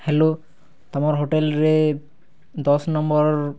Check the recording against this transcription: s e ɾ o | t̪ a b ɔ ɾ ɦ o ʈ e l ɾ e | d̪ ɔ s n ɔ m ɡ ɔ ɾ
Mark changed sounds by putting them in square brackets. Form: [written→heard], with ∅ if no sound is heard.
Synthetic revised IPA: [s→h] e [ɾ→l] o | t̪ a [b→m] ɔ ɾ ɦ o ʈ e l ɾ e | d̪ ɔ s n ɔ m [ɡ→b] ɔ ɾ

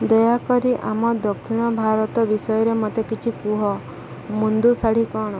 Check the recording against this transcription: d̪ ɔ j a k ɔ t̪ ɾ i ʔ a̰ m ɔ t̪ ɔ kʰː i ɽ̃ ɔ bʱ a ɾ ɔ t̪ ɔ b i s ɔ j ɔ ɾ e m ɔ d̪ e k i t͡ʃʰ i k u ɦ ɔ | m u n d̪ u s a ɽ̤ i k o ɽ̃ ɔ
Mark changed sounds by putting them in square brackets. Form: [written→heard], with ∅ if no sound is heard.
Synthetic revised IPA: d̪ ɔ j a k ɔ [t̪→∅] ɾ i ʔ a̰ m ɔ [t̪→d̪] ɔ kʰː i ɽ̃ ɔ bʱ a ɾ ɔ t̪ ɔ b i s ɔ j ɔ ɾ e m ɔ [d̪→t̪] e k i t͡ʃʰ i k u ɦ ɔ | m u n d̪ u s a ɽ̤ i k [o→ɔ] ɽ̃ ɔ

